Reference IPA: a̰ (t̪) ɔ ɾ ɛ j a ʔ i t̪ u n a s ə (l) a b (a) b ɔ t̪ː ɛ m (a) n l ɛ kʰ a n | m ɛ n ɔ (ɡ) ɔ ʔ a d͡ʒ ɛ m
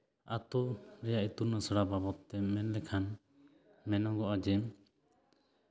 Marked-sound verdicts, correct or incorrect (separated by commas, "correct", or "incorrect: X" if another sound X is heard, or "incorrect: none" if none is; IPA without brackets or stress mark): correct, incorrect: ɽ, correct, incorrect: ɛ, correct